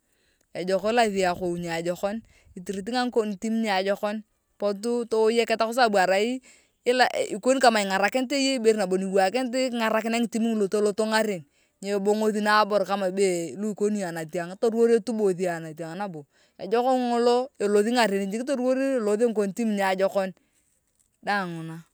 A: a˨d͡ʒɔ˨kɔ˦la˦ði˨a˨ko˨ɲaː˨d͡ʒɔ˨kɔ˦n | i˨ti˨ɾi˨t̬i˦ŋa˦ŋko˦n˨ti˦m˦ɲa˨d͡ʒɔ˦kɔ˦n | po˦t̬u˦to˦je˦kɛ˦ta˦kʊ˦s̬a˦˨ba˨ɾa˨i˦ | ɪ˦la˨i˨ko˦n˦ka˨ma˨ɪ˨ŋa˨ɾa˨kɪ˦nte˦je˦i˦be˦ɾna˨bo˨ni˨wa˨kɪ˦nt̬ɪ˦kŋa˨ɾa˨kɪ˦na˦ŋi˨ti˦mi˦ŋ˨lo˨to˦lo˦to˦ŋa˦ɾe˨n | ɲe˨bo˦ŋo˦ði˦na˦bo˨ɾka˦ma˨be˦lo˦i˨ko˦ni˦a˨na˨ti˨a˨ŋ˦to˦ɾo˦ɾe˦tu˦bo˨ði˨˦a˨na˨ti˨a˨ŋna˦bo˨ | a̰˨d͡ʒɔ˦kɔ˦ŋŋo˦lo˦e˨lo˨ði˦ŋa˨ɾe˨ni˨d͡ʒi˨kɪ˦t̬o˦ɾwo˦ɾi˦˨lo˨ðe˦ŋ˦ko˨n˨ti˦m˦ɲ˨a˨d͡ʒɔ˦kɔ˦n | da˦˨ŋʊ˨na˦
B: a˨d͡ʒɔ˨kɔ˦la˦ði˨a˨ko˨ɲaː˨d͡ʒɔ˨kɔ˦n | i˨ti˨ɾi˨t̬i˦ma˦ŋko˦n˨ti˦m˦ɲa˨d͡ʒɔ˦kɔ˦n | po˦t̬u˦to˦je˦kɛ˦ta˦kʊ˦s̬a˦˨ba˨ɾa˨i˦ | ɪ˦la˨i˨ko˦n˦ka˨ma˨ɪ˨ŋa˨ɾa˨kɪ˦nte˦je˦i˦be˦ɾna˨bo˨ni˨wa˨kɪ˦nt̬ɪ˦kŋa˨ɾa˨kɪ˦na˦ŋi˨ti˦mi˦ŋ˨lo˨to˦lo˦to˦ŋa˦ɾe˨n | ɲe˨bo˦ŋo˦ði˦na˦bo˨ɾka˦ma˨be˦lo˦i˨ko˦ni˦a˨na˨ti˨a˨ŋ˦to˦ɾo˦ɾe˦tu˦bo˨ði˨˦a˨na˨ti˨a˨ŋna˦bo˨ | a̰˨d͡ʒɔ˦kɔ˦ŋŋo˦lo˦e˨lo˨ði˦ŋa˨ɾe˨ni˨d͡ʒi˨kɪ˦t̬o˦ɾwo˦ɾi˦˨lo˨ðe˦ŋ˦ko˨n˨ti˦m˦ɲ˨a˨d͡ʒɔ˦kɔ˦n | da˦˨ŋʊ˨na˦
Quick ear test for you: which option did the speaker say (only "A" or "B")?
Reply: A